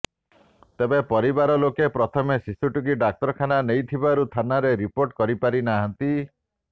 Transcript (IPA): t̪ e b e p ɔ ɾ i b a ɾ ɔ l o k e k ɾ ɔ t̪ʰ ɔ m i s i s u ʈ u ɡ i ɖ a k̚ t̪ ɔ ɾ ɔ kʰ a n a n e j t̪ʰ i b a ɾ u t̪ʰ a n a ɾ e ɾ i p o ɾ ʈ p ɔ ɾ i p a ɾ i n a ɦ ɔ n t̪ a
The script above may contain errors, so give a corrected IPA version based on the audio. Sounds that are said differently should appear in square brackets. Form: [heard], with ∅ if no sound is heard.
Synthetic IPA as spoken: t̪ e b e p ɔ ɾ i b a ɾ ɔ l o k e [p] ɾ ɔ t̪ʰ ɔ m [e] s i s u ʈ u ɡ i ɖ a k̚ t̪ ɔ ɾ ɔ kʰ a n a n e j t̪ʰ i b a ɾ u t̪ʰ a n a ɾ e ɾ i p o ɾ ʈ [k] ɔ ɾ i p a ɾ i n a ɦ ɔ n t̪ [i]